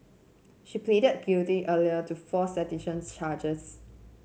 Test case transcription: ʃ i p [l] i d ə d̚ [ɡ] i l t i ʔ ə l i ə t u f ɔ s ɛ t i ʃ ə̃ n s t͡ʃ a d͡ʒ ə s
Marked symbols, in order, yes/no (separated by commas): yes, yes